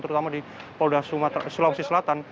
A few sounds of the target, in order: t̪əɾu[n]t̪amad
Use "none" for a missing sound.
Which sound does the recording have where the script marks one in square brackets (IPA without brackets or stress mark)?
none